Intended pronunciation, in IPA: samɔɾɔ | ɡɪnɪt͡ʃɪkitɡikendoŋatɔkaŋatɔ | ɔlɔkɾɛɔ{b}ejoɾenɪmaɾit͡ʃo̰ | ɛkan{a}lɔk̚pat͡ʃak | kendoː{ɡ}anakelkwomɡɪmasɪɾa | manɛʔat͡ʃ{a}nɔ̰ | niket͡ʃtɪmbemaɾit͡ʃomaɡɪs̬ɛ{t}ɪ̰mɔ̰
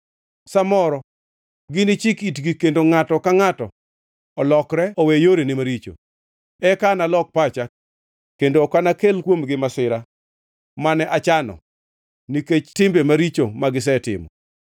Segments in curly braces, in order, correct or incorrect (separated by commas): incorrect, correct, incorrect, correct, correct